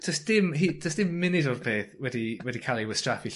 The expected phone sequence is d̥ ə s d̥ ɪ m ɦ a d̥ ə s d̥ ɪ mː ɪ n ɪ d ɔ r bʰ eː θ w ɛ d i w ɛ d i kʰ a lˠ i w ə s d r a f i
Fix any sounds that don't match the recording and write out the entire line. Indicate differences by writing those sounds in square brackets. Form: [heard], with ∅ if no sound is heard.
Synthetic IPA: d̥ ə s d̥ ɪ m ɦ [i] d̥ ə s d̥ ɪ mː ɪ n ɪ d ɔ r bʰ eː θ w ɛ d i w ɛ d i kʰ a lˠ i w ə s [t] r a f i